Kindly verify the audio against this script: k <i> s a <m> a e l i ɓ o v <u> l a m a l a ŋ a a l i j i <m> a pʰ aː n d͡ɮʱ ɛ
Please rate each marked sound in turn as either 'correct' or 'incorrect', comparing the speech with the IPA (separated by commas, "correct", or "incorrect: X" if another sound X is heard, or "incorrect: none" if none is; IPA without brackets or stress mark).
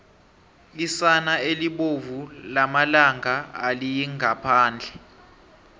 correct, incorrect: n, correct, incorrect: ŋ